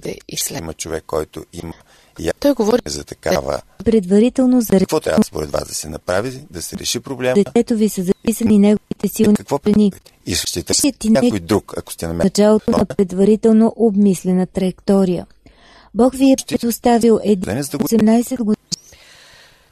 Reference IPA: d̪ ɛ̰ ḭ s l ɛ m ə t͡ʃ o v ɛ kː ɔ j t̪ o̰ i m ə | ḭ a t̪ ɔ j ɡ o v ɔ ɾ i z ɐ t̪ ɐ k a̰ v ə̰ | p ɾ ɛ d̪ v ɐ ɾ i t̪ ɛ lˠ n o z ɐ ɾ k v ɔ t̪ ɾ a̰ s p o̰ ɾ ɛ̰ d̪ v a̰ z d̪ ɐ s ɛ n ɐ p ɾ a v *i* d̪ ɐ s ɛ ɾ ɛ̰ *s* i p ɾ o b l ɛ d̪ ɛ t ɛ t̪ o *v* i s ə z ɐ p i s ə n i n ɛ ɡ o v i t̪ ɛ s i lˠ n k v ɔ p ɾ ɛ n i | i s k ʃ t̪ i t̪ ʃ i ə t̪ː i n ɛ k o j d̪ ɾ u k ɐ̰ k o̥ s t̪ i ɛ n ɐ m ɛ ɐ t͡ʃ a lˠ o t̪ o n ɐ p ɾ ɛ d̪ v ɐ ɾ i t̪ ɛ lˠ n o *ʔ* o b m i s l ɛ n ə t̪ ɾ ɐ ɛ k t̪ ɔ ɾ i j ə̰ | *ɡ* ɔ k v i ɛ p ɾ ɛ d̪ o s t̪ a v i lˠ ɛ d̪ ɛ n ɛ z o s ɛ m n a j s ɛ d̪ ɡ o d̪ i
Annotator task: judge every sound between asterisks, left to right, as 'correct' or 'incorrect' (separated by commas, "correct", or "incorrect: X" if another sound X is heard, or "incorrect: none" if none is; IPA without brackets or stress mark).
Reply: correct, incorrect: ʃ, correct, correct, incorrect: b